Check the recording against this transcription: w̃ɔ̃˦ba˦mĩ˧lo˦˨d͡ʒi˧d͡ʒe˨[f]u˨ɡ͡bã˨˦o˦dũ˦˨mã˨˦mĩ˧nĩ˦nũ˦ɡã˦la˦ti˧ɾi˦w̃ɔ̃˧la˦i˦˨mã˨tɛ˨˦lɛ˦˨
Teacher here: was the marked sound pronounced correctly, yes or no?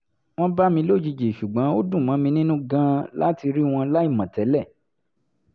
no